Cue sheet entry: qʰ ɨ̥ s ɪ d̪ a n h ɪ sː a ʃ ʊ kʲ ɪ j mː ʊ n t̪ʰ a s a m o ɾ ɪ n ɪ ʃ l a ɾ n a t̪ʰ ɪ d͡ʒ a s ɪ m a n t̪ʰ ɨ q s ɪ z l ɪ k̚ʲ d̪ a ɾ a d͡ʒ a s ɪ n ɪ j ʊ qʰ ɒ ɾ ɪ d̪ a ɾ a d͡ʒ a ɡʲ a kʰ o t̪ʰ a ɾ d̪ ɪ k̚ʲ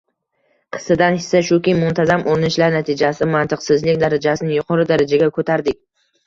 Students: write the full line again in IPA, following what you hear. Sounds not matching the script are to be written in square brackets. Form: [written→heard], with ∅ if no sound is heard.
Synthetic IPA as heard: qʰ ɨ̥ s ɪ d̪ a n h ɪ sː a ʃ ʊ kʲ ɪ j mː ʊ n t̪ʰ a [s→z] a m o ɾ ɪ n ɪ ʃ l a ɾ n a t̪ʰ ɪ d͡ʒ a s ɪ m a n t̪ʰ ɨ q s ɪ z l ɪ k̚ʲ d̪ a ɾ a d͡ʒ a s ɪ n ɪ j ʊ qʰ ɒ ɾ ɪ d̪ a ɾ a d͡ʒ a ɡʲ a kʰ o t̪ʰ a ɾ d̪ ɪ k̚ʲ